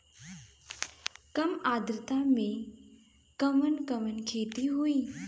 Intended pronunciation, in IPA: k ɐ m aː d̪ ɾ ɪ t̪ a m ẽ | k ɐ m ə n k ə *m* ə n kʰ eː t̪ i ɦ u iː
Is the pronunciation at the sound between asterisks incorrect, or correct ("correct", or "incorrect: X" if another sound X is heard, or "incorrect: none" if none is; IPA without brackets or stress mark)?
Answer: correct